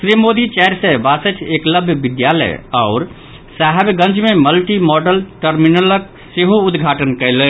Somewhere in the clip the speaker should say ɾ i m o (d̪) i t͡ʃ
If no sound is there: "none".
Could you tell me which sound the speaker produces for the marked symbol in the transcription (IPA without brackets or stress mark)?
d̪